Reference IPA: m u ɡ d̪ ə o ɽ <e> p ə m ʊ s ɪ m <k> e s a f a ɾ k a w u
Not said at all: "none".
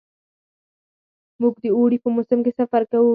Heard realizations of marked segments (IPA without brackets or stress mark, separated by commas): i, k